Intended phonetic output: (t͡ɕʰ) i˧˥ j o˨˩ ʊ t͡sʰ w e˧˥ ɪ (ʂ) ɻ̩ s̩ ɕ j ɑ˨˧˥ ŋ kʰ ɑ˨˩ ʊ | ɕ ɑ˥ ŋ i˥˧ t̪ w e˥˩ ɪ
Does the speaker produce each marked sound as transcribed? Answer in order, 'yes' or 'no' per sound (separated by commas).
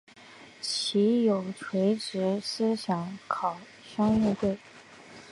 yes, no